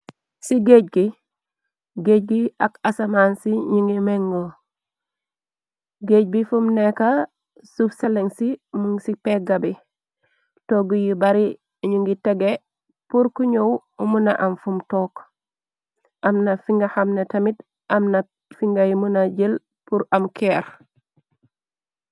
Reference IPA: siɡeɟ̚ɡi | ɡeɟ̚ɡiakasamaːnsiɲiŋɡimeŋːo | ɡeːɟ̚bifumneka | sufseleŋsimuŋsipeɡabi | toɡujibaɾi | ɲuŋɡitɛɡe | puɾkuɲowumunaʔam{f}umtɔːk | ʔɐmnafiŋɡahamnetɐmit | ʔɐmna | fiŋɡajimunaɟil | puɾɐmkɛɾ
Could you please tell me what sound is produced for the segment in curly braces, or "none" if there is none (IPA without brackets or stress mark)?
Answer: f